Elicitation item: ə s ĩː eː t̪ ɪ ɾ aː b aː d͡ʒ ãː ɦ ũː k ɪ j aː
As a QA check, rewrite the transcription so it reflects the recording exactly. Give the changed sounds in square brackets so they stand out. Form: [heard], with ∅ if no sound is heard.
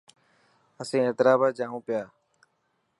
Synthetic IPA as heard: ə s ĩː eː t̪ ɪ ɾ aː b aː d͡ʒ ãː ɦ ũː [p] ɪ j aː